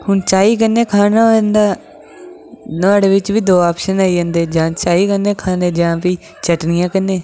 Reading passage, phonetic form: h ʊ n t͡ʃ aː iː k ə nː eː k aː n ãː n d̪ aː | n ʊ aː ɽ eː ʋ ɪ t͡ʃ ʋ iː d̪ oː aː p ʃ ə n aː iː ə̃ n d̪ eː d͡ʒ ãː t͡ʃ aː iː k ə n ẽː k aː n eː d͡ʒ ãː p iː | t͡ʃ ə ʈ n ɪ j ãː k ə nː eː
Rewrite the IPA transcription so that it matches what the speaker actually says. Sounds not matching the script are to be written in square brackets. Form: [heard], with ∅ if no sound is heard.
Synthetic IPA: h ʊ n t͡ʃ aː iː k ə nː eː [kʰ] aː n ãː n d̪ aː | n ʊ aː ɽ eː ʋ ɪ t͡ʃ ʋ iː d̪ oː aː p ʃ ə n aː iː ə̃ n d̪ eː d͡ʒ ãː t͡ʃ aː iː k ə n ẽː [kʰ] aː n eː d͡ʒ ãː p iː | t͡ʃ ə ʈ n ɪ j ãː k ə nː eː